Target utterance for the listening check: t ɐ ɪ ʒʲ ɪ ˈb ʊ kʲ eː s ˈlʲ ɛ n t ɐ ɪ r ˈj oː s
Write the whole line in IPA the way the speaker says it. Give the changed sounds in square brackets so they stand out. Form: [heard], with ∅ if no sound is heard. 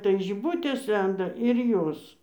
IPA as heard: t ɐ ɪ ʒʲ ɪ ˈb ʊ [tʲ] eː s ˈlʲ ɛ n [d] ɐ ɪ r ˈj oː s